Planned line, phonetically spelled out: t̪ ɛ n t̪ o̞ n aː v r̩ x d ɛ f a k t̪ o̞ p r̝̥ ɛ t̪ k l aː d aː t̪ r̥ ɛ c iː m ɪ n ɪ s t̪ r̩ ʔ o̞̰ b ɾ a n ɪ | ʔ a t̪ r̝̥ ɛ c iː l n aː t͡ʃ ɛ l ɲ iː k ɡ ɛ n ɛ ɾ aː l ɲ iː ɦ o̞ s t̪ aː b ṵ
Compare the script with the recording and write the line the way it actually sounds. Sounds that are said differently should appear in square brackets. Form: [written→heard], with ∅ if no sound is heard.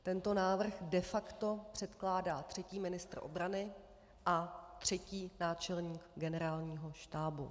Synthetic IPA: t̪ ɛ n t̪ o̞ n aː v r̩ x d ɛ f a k t̪ o̞ p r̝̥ ɛ t̪ k l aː d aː t̪ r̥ ɛ c iː m ɪ n ɪ s t̪ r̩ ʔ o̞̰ b ɾ a n ɪ | ʔ a t̪ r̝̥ ɛ c iː [l→∅] n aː t͡ʃ ɛ l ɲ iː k ɡ ɛ n ɛ ɾ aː l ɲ iː ɦ o̞ [s→ʃ] t̪ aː b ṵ

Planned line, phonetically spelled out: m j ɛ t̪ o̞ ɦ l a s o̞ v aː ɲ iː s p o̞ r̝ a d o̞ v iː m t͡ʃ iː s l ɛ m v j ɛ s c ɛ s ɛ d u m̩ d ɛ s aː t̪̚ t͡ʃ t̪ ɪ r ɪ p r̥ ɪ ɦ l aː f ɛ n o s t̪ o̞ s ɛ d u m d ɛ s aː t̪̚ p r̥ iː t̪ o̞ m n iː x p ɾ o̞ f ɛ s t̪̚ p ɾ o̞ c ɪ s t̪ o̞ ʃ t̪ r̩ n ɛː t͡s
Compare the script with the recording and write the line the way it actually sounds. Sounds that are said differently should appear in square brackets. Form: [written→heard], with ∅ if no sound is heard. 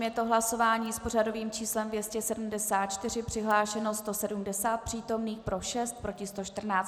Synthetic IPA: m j ɛ t̪ o̞ ɦ l a s o̞ v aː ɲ iː s p o̞ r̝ a d o̞ v iː m t͡ʃ iː s l ɛ m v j ɛ s c ɛ s ɛ d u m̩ d ɛ s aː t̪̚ t͡ʃ t̪ ɪ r ɪ p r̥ ɪ ɦ l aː [f→ʃ] ɛ n o s t̪ o̞ s ɛ d u m d ɛ s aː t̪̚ p r̥ iː t̪ o̞ m n iː x p ɾ o̞ [f→ʃ] ɛ s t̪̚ p ɾ o̞ c ɪ s t̪ o̞ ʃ t̪ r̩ n [ɛː→aː] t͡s

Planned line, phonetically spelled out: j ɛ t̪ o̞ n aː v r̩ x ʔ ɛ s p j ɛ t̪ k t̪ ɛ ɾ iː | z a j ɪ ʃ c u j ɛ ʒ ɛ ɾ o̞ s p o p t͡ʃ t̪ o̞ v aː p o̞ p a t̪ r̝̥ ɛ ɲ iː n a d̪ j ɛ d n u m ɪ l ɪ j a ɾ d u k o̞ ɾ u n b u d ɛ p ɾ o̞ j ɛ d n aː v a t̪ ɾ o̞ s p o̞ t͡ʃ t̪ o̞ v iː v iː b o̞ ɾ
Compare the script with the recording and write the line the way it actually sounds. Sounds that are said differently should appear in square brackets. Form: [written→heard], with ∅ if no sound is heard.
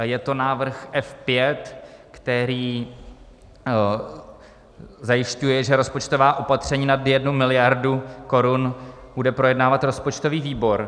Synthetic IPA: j ɛ t̪ o̞ n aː v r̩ x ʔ ɛ [s→f] p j ɛ t̪ k t̪ ɛ ɾ iː | z a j ɪ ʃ c u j ɛ ʒ ɛ ɾ o̞ s p o [p→∅] t͡ʃ t̪ o̞ v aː [p→ʔ] o̞ p a t̪ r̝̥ ɛ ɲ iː n a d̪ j ɛ d n u m ɪ l ɪ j a ɾ d u k o̞ ɾ u n b u d ɛ p ɾ o̞ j ɛ d n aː v a t̪ ɾ o̞ s p o̞ t͡ʃ t̪ o̞ v iː v iː b o̞ ɾ

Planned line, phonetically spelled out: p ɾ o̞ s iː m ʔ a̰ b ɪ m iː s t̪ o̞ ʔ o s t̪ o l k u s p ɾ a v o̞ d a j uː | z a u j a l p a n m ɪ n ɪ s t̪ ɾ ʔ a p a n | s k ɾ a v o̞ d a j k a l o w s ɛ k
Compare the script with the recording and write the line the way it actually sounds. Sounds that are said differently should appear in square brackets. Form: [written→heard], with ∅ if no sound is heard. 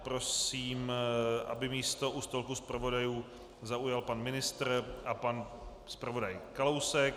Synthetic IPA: p ɾ o̞ s iː m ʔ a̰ b ɪ m iː s t̪ o̞ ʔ [o→u] s t̪ o l k u s p ɾ a v o̞ d a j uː | z a u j a l p a n m ɪ n ɪ s t̪ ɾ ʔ a p a n | s [k→p] ɾ a v o̞ d a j k a l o w s ɛ k

